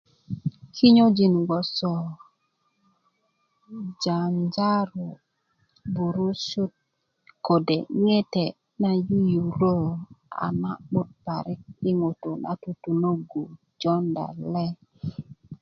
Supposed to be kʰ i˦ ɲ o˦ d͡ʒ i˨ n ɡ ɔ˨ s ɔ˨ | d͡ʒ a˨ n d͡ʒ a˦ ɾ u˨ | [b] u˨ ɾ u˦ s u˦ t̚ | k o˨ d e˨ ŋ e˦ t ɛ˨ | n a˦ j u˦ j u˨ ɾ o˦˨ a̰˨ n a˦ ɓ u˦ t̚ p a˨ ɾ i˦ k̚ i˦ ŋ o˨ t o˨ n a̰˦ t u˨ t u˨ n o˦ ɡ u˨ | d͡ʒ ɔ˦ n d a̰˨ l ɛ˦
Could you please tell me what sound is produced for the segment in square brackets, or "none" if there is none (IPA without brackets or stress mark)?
b